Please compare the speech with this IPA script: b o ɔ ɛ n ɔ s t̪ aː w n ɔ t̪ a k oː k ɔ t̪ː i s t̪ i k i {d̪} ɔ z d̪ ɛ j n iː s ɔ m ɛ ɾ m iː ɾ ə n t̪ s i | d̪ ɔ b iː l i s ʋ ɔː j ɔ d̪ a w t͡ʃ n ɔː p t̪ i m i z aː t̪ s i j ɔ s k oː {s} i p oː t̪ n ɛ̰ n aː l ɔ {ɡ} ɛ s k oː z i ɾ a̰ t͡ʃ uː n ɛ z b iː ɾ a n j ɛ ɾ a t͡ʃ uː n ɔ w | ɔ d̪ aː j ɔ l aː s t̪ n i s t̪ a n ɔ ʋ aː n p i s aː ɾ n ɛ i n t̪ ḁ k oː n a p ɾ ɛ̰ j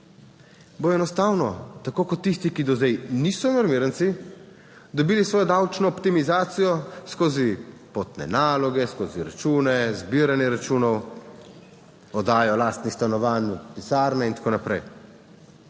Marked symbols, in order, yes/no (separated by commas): yes, no, yes